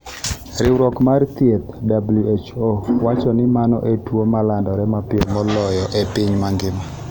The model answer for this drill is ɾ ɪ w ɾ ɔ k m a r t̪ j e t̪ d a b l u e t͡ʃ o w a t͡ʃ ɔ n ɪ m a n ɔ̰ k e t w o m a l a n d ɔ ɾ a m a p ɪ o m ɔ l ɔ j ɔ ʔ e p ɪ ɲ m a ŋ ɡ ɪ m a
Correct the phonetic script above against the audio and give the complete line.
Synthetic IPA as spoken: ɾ ɪ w ɾ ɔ k m a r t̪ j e t̪ d a b l u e t͡ʃ o w a t͡ʃ ɔ n ɪ m a n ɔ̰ ʔ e t w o m a l a n d ɔ ɾ ɛ m a p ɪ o m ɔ l ɔ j ɔ ʔ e p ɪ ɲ m a ŋ ɡ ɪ m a